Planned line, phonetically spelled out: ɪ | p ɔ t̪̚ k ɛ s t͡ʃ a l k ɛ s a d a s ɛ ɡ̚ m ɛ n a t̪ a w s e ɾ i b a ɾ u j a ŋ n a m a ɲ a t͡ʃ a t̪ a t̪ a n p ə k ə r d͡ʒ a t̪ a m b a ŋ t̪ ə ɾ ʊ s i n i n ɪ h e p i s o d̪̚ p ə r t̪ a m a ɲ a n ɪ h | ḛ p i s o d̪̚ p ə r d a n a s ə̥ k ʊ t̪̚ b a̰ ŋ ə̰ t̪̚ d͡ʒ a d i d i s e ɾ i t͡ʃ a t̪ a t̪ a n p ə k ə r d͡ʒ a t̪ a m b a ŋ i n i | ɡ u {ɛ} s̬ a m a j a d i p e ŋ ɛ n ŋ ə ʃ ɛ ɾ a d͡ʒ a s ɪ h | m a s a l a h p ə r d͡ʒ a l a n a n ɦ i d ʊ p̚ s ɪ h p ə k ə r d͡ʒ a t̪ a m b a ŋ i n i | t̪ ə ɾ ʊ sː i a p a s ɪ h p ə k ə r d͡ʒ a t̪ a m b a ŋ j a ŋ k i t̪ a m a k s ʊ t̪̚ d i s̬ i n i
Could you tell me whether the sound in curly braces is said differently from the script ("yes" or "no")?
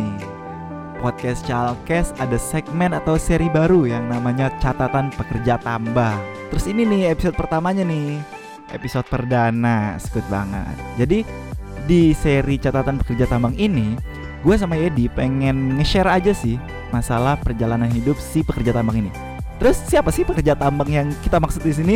yes